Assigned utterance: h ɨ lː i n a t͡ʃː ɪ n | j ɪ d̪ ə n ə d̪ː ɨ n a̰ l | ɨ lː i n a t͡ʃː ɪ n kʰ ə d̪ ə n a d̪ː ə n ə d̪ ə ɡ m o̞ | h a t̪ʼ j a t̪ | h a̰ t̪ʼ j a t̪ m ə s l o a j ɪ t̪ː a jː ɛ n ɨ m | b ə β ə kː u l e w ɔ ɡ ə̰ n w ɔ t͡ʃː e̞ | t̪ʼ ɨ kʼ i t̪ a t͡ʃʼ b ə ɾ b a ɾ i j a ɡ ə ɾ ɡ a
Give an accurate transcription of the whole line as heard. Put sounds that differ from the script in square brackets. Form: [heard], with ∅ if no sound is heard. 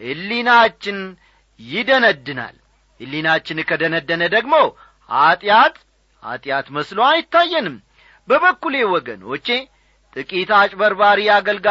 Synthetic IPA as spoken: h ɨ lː i n a t͡ʃː ɪ n | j ɪ d̪ ə n ə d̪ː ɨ n a̰ l | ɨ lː i n a t͡ʃː ɪ n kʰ ə d̪ ə n [ə] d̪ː ə n ə d̪ ə ɡ m o̞ | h a t̪ʼ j a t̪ | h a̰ t̪ʼ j a t̪ m ə s l o a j ɪ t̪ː a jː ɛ n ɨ m | b ə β ə kː u l e w ɔ ɡ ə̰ n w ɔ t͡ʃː e̞ | t̪ʼ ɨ kʼ i t̪ a t͡ʃʼ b ə ɾ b a ɾ i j a ɡ ə [l] ɡ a